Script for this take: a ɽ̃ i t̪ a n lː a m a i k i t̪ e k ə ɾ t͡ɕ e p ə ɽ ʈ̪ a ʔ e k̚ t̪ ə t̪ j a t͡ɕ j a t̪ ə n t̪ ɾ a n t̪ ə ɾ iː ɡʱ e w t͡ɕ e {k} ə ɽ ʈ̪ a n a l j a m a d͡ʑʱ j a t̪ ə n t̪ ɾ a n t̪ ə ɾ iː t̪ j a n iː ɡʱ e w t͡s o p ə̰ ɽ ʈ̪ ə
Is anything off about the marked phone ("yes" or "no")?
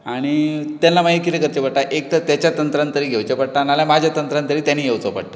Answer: yes